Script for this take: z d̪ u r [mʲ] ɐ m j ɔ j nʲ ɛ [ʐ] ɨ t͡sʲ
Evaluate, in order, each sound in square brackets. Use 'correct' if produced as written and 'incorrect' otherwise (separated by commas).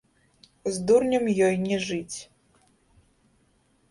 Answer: incorrect, correct